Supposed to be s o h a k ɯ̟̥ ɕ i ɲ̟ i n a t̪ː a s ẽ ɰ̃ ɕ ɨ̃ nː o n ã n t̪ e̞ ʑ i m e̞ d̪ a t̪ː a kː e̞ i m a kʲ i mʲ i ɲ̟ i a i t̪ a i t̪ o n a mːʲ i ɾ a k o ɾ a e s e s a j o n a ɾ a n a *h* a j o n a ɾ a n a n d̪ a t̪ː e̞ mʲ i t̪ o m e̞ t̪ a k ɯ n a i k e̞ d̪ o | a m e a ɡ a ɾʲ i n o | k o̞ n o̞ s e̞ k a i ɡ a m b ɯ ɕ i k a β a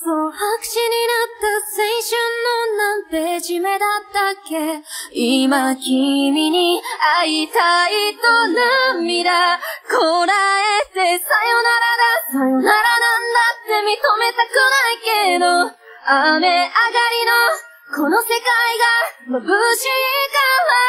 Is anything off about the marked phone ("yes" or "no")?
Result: yes